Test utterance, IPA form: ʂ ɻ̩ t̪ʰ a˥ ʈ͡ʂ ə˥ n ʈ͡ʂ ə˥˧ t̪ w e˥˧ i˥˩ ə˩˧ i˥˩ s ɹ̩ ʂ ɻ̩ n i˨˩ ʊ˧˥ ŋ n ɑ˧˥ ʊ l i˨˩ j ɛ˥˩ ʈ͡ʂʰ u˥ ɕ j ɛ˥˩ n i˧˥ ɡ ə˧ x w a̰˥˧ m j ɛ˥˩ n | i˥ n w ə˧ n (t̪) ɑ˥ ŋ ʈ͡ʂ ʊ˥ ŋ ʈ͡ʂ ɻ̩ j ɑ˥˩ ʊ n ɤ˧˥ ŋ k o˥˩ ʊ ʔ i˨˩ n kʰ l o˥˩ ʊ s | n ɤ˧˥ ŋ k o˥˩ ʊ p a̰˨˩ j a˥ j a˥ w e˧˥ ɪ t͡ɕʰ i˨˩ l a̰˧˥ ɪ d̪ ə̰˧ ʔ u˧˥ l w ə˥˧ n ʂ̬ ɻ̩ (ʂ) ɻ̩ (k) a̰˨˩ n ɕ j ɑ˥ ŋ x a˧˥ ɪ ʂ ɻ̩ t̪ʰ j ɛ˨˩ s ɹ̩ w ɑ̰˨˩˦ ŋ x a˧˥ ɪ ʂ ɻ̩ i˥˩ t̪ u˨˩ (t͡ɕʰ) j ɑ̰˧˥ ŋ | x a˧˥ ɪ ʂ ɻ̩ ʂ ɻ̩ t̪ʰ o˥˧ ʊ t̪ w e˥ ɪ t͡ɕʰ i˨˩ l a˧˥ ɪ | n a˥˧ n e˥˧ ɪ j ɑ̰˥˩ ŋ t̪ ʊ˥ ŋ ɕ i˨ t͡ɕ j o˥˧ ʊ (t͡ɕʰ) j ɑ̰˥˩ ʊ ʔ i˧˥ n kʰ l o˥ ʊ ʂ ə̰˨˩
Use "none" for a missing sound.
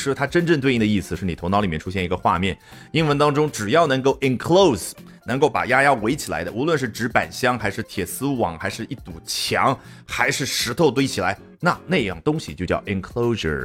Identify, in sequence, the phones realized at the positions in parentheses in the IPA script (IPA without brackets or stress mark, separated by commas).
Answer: t̪, ʈ͡ʂ, p, t͡ɕʰ, t͡ɕ